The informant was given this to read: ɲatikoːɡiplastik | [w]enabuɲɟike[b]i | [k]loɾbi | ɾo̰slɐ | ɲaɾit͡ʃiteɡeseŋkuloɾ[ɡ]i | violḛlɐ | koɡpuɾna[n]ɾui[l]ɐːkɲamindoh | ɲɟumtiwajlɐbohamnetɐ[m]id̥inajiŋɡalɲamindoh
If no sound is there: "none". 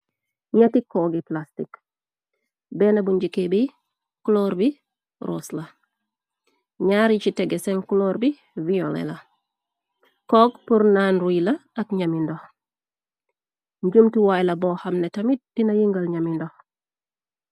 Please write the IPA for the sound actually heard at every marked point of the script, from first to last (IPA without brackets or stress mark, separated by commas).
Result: b, b, k, b, n, l, m